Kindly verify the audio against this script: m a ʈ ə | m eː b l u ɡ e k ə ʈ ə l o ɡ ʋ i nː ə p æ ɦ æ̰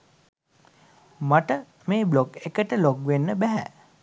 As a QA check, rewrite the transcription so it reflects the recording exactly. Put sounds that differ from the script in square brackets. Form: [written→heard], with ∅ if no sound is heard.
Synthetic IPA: m a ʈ ə | m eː b l [u→o] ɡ e k ə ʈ ə l o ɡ ʋ [i→e] nː ə [p→b] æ ɦ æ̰